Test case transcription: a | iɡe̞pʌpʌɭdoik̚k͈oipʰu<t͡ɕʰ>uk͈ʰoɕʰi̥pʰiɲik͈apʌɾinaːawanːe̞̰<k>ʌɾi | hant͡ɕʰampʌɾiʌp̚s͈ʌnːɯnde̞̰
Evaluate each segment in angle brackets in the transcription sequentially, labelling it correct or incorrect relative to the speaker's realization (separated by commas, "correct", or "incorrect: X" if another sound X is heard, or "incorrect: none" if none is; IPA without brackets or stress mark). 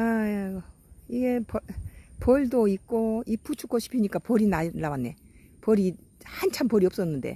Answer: correct, incorrect: p